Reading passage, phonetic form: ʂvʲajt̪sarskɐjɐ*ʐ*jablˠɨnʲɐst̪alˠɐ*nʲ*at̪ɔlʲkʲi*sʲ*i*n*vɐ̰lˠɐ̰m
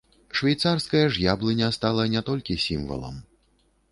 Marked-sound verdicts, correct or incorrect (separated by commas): correct, correct, correct, incorrect